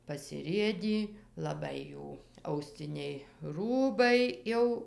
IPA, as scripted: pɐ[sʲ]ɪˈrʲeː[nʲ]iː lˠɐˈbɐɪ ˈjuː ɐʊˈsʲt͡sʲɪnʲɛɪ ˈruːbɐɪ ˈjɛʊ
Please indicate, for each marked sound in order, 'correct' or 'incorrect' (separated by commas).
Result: correct, incorrect